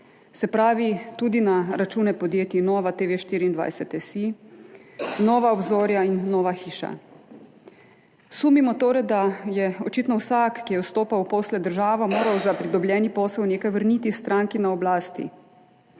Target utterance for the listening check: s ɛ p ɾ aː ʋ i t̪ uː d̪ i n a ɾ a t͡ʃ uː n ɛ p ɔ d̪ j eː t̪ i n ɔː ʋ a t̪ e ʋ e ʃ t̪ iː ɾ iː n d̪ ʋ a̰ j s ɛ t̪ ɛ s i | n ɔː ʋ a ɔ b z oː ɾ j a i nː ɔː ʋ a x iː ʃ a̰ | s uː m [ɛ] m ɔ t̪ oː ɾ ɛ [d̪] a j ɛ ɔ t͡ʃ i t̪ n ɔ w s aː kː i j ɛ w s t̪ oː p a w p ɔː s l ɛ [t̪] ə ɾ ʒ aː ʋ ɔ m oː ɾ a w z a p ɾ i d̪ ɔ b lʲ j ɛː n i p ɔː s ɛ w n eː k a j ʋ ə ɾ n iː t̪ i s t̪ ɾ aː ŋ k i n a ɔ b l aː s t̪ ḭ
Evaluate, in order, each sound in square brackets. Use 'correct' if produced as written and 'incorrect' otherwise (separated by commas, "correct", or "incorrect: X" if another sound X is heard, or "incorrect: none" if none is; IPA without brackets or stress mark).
incorrect: i, correct, incorrect: d̪